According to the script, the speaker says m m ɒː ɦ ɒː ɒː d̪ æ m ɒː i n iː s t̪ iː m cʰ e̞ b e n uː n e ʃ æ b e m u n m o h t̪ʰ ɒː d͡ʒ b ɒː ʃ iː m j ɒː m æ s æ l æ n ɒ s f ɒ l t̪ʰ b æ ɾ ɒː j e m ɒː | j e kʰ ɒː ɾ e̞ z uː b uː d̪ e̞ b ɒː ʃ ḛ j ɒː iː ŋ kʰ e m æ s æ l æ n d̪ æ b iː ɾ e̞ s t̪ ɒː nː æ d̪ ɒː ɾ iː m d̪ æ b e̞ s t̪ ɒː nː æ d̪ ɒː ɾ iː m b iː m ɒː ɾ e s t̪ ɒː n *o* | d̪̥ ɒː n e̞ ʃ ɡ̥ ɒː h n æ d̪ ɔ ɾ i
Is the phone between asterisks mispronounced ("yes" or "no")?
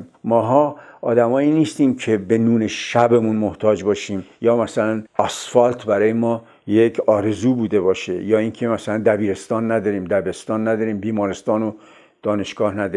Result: no